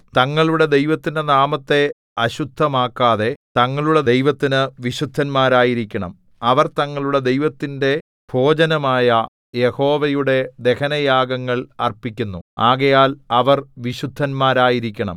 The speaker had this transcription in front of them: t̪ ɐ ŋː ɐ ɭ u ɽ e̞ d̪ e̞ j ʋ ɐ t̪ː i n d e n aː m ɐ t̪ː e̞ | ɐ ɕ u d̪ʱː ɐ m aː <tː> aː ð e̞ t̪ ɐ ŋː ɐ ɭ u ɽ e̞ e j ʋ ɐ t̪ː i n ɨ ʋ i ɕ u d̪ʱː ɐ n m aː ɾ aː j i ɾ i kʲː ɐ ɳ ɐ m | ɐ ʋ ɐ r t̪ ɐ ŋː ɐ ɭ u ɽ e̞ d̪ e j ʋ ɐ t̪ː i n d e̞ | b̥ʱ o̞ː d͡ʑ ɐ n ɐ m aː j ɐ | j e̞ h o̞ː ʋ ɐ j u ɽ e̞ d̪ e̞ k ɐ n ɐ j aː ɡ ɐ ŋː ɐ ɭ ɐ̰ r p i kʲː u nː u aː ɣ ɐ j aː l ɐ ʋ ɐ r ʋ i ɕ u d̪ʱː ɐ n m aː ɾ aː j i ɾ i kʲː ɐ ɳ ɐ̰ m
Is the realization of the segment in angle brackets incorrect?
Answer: yes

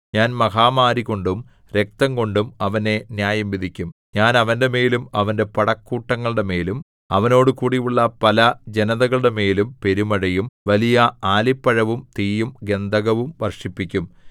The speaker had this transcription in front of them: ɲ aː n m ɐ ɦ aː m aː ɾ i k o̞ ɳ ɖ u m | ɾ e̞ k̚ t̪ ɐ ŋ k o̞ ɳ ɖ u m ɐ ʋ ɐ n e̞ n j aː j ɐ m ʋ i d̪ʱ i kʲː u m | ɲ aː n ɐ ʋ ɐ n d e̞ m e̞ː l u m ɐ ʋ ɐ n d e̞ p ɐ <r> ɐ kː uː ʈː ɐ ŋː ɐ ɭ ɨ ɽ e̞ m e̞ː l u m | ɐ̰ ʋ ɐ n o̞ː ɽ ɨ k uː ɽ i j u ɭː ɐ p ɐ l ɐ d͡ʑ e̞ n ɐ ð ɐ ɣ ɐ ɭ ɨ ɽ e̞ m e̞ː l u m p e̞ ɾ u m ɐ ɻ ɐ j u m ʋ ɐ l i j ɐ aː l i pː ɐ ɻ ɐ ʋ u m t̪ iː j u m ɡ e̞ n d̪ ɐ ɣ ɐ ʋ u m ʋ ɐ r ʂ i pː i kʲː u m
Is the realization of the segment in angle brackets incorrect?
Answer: yes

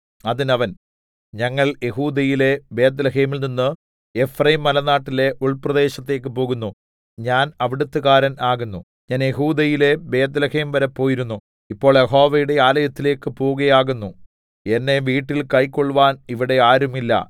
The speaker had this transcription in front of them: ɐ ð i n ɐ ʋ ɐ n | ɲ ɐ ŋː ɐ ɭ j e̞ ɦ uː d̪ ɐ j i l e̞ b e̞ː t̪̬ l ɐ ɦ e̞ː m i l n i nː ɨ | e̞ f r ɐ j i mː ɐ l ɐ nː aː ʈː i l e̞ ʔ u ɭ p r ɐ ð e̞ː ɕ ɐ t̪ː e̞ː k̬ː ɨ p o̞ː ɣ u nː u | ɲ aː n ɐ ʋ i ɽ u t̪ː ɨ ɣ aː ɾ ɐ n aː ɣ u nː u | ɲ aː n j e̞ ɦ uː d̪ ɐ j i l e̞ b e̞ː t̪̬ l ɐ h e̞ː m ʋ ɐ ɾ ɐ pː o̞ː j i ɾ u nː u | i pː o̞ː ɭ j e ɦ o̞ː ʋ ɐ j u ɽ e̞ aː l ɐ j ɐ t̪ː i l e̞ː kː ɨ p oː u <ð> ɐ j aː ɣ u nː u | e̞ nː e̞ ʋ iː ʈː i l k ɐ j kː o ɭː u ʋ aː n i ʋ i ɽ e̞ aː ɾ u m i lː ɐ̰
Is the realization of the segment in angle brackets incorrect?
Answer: yes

